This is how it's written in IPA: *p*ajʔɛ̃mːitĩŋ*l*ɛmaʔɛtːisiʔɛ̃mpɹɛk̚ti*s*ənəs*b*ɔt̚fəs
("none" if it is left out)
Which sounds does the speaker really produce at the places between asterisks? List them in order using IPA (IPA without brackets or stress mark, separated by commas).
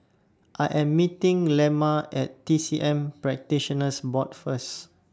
ʔ, l, ʃ, b